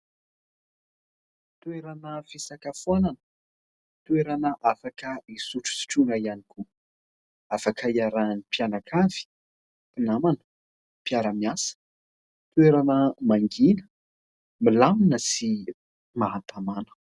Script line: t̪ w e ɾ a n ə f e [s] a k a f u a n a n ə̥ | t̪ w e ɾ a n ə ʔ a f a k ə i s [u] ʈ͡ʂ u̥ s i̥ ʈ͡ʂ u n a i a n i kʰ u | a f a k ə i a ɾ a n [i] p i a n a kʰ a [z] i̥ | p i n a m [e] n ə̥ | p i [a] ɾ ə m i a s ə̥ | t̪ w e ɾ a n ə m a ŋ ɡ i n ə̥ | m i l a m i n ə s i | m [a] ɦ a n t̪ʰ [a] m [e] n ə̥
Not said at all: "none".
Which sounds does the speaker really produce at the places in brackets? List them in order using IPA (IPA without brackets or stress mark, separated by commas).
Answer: s, u, i, v, a, a, a, a, a